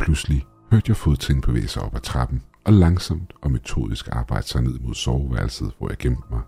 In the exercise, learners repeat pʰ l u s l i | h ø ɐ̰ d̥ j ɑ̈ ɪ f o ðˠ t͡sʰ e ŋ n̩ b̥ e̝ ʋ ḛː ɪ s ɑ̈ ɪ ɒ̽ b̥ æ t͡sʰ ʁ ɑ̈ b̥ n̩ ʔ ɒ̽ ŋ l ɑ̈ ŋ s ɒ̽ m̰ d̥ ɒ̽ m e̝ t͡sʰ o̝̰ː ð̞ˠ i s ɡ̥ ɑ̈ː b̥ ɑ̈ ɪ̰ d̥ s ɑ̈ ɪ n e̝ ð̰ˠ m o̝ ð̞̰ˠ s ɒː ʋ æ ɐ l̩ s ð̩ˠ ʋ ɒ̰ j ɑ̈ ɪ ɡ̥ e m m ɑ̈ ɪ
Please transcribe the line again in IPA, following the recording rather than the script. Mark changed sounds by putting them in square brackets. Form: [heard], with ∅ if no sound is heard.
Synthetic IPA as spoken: pʰ l u s l i | h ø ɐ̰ d̥ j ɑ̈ ɪ f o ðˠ t͡sʰ e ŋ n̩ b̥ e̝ ʋ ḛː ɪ s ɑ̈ ɪ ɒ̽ b̥ æ t͡sʰ ʁ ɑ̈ b̥ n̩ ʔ ɒ̽ [∅] l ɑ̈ ŋ s ɒ̽ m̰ d̥ ɒ̽ m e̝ t͡sʰ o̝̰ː ð̞ˠ i s ɡ̥ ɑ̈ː b̥ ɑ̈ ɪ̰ d̥ s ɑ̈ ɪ n e̝ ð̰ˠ m o̝ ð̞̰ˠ s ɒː ʋ æ ɐ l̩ s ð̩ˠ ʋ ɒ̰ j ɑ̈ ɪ ɡ̥ e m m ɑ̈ ɪ